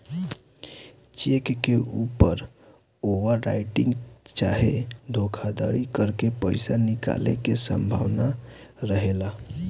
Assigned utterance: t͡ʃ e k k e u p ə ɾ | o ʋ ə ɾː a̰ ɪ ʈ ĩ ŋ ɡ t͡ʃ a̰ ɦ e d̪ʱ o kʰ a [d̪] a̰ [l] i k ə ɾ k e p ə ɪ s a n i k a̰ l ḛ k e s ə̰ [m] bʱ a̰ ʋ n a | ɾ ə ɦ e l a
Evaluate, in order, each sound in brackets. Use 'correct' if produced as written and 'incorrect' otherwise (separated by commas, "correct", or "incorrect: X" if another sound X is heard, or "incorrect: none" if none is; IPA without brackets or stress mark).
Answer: correct, incorrect: ɾ, correct